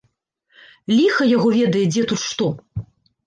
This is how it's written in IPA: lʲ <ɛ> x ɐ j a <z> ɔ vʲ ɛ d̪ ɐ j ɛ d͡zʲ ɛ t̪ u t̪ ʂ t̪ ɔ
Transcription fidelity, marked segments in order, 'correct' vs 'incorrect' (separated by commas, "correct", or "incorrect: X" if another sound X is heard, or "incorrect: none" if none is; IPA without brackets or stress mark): incorrect: i, incorrect: ɣ